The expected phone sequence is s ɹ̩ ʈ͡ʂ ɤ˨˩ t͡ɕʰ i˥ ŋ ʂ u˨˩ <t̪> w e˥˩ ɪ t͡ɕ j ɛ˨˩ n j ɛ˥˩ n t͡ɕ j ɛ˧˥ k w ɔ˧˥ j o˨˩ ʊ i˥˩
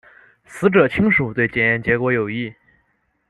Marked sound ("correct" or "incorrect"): correct